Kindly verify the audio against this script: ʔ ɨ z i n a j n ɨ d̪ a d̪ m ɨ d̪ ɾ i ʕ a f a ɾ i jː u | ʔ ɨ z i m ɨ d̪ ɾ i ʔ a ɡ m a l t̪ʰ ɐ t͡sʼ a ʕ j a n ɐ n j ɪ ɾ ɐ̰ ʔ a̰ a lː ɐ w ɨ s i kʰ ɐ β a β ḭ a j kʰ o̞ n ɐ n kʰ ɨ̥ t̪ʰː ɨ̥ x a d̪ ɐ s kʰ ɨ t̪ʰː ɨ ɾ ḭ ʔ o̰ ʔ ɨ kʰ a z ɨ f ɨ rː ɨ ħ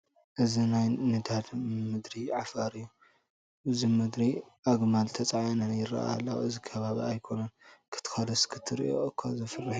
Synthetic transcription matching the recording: ʔ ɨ z i n a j n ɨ d̪ a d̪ m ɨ d̪ ɾ i ʕ a f a ɾ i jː u | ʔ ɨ z i m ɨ d̪ ɾ i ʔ a ɡ m a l t̪ʰ ɐ t͡sʼ a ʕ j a n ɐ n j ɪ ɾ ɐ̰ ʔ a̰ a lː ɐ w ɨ z i kʰ ɐ β a β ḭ a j kʰ o̞ n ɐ n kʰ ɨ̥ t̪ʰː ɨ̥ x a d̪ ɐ s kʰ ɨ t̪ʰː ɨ ɾ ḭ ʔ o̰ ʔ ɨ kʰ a z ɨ f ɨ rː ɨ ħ